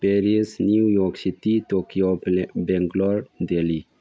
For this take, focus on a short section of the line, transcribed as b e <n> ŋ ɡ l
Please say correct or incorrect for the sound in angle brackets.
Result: incorrect